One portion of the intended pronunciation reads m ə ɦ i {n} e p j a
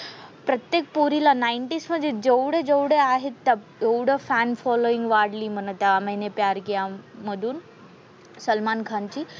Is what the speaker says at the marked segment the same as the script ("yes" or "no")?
yes